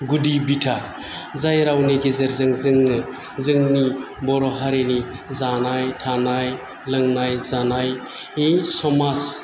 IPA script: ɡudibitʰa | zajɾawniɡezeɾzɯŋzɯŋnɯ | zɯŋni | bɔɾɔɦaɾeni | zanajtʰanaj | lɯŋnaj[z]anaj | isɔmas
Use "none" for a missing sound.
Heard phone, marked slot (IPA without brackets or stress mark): z